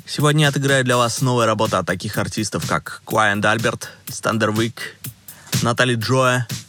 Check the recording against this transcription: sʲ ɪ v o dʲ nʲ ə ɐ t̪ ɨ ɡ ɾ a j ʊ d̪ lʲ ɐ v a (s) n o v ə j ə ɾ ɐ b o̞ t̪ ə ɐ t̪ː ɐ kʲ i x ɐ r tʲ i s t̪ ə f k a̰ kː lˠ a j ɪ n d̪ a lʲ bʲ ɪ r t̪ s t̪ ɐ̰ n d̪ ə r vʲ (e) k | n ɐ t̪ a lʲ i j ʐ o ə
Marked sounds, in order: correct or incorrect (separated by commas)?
correct, incorrect